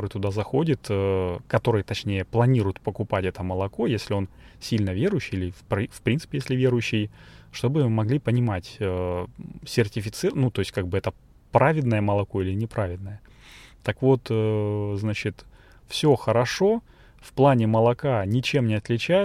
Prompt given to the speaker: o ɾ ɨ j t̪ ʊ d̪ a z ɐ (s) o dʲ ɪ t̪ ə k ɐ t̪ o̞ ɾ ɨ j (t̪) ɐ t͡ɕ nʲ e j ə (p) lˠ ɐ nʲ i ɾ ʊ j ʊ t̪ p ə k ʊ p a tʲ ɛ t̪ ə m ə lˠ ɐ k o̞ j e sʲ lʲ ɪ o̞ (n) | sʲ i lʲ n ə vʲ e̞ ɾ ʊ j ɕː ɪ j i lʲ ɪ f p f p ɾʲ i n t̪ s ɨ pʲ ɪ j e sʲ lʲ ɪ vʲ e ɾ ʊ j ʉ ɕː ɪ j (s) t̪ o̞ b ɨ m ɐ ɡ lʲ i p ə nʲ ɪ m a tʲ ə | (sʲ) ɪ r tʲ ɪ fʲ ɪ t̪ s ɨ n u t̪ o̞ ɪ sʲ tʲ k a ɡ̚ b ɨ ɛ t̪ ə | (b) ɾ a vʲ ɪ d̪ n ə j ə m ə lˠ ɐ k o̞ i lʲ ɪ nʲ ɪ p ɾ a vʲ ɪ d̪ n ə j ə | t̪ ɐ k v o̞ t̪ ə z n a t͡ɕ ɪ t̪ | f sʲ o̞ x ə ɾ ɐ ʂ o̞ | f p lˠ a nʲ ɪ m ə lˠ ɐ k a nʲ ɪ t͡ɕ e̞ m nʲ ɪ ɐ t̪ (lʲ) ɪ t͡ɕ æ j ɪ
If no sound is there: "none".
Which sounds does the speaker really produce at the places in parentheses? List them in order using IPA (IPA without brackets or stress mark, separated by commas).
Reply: x, t̪, p, n, ʂ, sʲ, p, lʲ